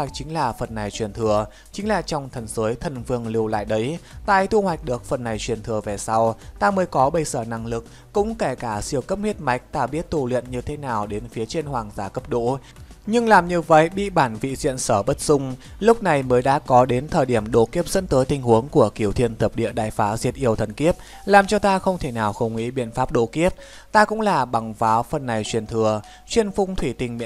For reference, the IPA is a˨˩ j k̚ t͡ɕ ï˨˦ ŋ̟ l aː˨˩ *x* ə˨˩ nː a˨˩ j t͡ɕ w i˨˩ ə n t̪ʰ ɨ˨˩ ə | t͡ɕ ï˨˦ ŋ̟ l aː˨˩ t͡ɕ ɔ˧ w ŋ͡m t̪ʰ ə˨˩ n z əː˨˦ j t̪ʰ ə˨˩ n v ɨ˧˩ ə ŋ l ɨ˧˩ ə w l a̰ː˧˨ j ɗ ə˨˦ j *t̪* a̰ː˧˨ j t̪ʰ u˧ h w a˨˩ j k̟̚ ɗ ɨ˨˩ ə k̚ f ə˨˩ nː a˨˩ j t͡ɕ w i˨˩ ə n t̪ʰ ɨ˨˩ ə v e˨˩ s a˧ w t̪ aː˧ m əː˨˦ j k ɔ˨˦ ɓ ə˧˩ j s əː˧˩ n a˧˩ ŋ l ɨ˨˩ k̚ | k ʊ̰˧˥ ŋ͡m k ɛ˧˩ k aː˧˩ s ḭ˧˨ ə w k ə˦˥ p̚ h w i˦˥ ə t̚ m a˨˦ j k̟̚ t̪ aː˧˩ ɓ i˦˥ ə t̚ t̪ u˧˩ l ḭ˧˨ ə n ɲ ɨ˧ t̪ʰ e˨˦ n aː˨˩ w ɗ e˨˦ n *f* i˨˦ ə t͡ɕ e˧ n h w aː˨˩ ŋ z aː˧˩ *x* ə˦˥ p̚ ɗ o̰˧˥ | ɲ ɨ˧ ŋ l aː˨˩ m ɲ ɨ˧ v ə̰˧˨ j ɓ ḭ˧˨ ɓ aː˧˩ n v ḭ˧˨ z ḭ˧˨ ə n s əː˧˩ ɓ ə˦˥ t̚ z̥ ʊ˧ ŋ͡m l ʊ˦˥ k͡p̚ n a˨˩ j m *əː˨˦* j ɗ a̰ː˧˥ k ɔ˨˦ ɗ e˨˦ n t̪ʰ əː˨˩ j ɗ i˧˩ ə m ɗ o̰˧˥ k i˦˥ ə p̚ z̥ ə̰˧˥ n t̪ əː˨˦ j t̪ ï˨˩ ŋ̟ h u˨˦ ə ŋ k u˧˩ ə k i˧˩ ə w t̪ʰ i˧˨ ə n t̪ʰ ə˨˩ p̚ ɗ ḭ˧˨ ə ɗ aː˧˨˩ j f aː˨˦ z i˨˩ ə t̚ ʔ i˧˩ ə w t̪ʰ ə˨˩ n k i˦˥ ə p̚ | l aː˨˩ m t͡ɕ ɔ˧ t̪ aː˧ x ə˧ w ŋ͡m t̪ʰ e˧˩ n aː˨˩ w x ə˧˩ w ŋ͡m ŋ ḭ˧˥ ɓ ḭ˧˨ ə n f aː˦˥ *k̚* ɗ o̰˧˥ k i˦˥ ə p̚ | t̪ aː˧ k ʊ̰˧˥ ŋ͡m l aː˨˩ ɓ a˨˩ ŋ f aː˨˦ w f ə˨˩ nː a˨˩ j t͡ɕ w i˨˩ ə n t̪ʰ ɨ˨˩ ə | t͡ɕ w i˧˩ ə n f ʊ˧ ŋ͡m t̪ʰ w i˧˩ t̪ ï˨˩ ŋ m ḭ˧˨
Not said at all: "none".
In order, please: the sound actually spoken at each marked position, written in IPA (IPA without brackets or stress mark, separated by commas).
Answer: f, t̪, f, k, əː˨˦, p̚